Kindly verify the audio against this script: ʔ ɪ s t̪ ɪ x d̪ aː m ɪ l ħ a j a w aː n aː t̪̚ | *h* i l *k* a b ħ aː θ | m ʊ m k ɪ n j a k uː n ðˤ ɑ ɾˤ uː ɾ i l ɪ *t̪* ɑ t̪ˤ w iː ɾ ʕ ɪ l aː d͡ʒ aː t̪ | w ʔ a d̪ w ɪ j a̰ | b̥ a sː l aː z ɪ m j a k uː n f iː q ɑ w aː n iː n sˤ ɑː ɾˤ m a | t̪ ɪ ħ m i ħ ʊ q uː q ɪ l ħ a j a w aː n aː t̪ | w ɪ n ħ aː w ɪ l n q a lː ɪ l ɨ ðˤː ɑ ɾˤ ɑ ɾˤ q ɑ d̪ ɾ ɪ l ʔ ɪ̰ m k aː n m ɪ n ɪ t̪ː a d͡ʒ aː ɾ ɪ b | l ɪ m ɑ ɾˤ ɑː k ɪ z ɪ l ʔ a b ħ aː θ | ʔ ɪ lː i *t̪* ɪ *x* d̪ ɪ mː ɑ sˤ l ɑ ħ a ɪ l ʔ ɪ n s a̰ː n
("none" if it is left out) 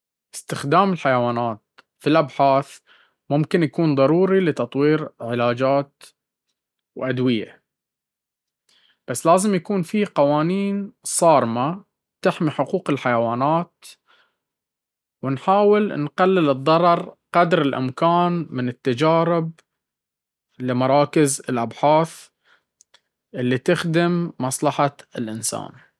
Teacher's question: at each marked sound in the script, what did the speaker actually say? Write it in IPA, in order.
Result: f, ʔ, t̪, t̪, x

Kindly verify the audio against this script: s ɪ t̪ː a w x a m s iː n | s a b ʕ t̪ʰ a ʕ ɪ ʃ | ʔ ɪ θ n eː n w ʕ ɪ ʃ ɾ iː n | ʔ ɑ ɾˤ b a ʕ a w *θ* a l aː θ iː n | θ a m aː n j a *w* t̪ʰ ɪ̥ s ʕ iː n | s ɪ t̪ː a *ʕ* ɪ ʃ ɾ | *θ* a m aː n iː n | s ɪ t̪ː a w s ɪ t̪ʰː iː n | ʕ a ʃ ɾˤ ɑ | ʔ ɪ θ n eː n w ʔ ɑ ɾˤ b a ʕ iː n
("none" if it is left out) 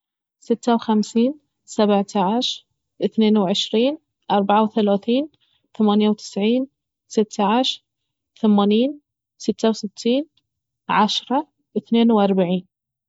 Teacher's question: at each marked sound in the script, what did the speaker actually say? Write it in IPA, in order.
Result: θ, w, ʕ, θ

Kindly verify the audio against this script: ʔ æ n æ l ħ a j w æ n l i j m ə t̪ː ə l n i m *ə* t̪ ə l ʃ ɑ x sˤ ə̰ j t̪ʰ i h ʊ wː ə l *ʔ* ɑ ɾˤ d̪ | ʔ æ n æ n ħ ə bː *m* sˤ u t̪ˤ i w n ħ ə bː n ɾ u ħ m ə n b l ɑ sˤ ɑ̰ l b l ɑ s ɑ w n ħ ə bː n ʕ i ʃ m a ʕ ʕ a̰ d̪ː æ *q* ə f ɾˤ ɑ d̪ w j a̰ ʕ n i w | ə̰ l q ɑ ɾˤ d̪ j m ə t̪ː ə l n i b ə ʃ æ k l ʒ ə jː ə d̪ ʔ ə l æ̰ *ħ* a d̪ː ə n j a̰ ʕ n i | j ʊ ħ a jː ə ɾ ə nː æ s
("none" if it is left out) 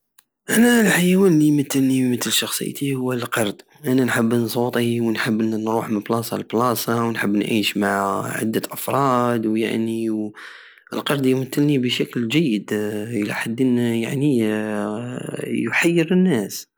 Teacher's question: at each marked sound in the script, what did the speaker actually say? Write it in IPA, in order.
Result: ə, q, n, ʔ, ħ

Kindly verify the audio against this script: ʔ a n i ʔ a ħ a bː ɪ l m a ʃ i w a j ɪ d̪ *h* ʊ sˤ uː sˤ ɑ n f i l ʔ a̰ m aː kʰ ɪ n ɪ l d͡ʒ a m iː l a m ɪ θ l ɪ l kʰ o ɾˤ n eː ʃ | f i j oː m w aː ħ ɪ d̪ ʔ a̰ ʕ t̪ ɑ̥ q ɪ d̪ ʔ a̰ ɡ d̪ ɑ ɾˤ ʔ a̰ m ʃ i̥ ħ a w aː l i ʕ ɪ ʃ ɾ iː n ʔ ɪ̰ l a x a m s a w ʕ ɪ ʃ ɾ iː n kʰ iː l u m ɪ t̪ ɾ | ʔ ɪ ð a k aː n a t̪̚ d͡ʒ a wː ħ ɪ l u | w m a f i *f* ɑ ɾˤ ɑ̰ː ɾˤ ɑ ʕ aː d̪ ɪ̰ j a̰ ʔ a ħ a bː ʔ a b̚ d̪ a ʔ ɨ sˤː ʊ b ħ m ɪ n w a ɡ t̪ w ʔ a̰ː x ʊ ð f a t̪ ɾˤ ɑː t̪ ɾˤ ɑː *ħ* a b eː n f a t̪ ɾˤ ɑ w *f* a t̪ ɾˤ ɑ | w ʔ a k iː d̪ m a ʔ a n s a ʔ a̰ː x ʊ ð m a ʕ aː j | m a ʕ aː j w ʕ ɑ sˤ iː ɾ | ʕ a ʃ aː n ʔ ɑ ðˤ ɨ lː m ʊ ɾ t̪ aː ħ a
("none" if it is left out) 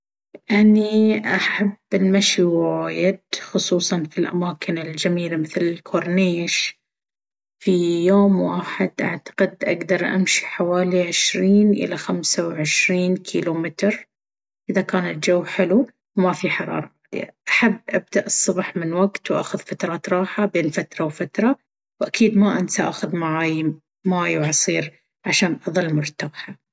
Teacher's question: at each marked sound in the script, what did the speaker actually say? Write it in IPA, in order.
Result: x, ħ, ħ, f

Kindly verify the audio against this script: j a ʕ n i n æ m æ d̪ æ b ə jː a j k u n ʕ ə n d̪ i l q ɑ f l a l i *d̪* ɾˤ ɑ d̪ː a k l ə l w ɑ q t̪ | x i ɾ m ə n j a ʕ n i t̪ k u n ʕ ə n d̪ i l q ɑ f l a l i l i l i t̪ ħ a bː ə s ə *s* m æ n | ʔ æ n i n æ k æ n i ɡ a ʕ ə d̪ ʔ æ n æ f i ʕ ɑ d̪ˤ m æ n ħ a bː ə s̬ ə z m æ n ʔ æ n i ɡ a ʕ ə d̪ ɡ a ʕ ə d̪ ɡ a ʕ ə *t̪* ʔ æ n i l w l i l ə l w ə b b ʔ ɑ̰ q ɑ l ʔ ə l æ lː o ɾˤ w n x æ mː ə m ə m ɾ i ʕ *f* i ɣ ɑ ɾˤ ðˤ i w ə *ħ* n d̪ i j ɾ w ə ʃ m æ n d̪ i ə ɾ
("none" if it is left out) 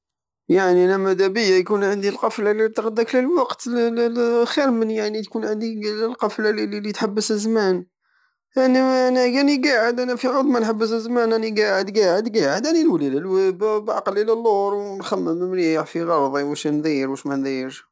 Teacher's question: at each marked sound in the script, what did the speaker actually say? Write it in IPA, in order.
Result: t̪, z, d̪, f, ʃ

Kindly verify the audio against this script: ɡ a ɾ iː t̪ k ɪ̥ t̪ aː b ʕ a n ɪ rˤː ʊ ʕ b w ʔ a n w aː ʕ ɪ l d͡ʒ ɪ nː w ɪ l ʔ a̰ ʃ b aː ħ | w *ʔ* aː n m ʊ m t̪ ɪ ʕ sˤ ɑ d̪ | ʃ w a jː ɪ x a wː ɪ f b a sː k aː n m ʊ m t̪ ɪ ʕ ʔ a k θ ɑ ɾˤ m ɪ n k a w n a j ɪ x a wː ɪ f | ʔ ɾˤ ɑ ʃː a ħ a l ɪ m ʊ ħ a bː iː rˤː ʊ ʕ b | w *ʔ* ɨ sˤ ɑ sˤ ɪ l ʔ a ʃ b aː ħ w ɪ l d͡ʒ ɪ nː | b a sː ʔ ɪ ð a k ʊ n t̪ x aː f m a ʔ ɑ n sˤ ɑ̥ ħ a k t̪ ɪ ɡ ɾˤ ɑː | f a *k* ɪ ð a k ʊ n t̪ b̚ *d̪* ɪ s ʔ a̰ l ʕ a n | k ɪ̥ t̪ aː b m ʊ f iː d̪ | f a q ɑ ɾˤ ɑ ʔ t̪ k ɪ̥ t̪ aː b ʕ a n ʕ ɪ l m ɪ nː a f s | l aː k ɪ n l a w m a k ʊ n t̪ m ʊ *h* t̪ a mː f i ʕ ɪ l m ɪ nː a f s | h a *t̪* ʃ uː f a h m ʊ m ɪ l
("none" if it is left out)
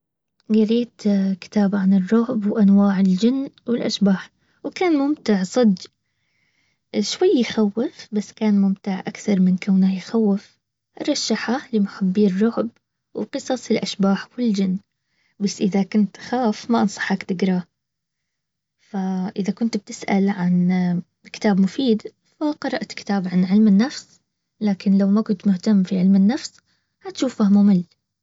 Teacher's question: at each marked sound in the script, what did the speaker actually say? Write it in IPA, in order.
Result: k, q, ʔ, t̪, h, t̪

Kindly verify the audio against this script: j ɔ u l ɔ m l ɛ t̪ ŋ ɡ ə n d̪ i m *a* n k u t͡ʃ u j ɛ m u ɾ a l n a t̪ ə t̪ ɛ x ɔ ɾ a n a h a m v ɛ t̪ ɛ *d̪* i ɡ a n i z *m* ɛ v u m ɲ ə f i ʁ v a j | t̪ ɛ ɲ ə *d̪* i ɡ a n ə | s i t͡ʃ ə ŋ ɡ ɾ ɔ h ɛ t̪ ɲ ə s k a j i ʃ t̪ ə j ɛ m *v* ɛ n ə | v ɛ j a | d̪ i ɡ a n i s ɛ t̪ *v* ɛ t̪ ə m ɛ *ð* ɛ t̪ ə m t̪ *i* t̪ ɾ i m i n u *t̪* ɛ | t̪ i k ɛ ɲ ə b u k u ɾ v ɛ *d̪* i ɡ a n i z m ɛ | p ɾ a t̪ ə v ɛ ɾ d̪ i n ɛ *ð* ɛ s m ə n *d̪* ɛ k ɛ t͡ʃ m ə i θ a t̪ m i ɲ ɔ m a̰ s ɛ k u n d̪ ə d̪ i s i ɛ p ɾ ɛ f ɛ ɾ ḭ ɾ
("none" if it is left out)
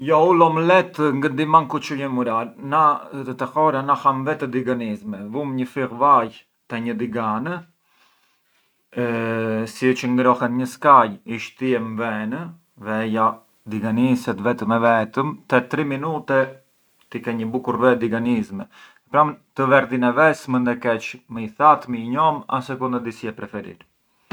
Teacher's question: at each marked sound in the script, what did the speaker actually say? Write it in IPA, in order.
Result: a, d̪, m, d̪, v, v, v, ɛ, t̪, d̪, v, d̪

